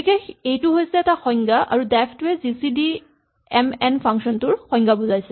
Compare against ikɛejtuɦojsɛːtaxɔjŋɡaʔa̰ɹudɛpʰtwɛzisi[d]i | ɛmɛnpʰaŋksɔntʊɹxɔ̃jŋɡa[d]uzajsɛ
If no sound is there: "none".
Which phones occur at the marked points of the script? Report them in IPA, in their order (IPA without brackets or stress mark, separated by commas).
d, b